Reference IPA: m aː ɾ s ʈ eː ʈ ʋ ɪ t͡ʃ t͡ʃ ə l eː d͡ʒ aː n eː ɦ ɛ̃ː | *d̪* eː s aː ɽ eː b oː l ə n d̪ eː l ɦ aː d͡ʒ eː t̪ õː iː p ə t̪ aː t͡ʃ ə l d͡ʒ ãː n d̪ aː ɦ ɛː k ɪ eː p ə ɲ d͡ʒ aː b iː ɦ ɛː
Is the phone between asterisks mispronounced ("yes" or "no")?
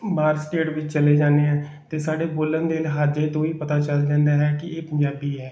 yes